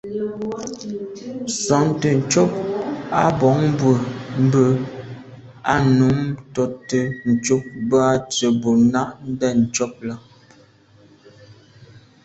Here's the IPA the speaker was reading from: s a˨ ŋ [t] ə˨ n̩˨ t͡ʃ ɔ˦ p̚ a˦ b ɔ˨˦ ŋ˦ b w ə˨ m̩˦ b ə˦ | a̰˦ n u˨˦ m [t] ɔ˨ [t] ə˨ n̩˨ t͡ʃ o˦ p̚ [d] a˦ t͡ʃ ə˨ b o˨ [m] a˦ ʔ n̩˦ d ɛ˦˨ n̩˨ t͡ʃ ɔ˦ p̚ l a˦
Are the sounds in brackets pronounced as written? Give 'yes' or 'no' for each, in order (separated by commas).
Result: yes, yes, yes, no, no